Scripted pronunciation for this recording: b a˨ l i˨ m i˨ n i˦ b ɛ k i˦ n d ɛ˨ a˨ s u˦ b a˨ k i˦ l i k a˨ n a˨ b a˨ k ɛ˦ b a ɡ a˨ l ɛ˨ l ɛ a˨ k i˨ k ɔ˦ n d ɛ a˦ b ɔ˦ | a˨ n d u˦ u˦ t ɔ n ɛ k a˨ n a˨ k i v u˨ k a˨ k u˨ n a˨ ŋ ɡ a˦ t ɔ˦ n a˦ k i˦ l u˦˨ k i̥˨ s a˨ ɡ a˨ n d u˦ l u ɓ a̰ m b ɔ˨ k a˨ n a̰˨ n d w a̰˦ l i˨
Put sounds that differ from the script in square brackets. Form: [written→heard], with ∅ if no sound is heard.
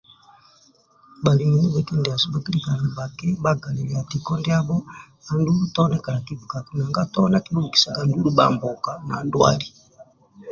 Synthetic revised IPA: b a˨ l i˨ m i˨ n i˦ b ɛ k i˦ n d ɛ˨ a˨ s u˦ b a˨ k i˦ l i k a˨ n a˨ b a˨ k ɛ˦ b a ɡ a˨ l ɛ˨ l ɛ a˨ [k→t] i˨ k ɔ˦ n d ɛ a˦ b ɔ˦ | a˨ n d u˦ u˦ t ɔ n ɛ k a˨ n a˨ k i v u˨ k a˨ k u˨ n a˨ ŋ ɡ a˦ t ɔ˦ n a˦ k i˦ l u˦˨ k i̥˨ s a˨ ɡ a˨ n d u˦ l u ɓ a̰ m b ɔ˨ k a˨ n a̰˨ n d w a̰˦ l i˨